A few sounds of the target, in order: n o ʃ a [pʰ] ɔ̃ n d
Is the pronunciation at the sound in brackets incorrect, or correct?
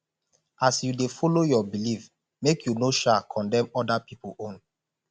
incorrect: kʰ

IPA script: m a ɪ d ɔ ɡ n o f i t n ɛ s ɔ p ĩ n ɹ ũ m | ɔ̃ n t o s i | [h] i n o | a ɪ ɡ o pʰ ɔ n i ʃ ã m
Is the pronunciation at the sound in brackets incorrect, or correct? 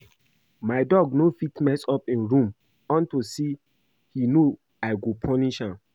correct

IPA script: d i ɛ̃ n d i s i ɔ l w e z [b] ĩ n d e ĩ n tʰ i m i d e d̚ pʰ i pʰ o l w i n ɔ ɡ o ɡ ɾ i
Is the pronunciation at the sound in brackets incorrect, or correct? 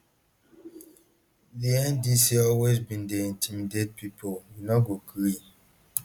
correct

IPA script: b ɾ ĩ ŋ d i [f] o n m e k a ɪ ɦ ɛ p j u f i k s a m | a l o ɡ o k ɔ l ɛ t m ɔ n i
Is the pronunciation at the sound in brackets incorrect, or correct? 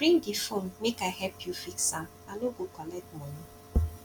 correct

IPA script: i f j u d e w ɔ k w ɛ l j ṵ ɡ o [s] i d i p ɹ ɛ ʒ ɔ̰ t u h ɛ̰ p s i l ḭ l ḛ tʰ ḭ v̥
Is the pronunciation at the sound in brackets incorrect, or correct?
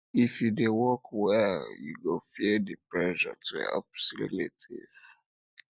incorrect: f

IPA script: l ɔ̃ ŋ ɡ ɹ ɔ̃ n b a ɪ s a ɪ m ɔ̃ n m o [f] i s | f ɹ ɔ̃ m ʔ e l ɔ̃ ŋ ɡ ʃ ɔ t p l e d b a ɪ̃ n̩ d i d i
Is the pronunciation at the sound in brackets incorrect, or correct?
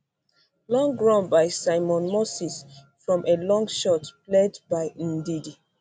incorrect: s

